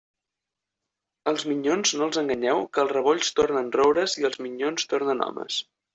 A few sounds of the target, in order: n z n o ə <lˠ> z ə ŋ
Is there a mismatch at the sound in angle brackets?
no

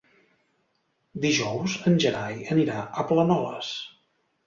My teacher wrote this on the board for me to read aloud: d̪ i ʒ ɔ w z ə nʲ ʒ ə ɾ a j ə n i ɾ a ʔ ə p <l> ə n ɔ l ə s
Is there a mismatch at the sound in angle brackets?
no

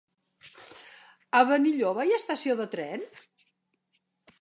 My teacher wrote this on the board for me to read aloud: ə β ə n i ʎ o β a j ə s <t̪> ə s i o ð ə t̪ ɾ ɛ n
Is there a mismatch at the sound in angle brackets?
no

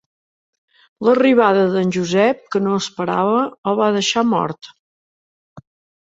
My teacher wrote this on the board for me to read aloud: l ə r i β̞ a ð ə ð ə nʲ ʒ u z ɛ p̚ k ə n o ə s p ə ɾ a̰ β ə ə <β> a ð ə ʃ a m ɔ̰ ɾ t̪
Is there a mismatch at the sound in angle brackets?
no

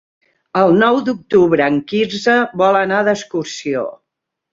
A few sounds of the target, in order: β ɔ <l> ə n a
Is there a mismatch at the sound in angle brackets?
no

